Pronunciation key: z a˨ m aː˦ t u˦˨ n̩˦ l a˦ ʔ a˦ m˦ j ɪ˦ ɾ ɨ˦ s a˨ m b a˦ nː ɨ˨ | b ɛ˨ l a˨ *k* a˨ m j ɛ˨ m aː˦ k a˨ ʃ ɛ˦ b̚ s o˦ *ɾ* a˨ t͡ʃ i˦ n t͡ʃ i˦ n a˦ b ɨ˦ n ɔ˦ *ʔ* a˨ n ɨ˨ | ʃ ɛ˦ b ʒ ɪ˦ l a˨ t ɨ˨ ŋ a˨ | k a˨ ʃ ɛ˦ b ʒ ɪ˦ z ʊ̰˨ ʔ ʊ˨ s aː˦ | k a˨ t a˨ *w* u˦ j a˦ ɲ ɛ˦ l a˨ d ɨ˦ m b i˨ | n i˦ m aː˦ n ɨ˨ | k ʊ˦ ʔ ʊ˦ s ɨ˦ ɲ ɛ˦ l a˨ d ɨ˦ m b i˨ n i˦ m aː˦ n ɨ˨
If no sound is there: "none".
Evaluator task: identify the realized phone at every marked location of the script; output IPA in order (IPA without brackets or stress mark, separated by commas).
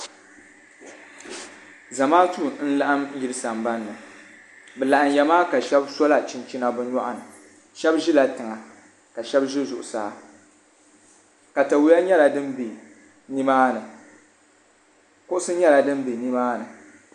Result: ʔ, l, ʔ, w